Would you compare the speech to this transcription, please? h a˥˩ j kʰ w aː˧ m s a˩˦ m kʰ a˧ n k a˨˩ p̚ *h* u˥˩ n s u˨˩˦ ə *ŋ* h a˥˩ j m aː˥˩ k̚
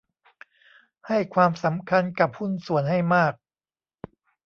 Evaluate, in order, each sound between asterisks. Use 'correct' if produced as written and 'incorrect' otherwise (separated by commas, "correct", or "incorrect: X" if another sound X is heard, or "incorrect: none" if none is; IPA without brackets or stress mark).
correct, incorrect: n